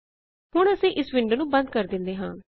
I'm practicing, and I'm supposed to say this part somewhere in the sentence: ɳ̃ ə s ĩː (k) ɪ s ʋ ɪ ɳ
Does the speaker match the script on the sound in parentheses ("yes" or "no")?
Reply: no